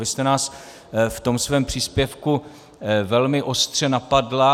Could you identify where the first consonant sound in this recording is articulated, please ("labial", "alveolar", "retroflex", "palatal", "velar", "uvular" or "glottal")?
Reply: alveolar